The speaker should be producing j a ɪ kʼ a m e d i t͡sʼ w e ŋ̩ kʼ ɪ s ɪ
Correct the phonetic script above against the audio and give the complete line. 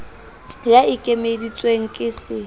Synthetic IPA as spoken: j a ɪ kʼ e m e d i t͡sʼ w e ŋ̩ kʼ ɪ s ɪ